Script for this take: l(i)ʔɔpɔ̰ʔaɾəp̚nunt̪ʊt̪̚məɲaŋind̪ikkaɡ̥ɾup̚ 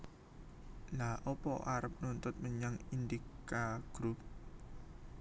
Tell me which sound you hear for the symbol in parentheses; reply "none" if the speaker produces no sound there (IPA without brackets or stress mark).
a